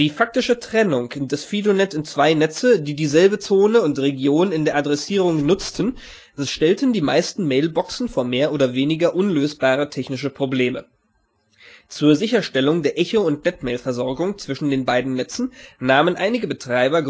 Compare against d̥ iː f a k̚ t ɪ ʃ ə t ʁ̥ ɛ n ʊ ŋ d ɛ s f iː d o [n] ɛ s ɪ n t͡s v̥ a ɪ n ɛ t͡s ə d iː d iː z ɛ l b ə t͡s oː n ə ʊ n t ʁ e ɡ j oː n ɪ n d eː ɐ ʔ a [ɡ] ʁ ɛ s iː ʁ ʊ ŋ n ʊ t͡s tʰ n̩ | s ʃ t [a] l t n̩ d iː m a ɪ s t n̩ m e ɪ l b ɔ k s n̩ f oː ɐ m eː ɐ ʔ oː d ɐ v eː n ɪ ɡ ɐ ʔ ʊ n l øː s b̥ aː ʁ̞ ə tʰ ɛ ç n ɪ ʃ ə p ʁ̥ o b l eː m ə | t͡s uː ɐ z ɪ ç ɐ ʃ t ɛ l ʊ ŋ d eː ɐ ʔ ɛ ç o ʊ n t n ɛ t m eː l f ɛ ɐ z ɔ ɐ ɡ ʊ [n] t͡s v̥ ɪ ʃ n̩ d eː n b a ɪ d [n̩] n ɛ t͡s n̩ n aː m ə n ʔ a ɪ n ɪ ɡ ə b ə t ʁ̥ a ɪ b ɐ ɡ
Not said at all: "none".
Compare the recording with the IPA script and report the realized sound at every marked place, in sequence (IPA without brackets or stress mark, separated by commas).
n, d, ɛ, ŋ, n̩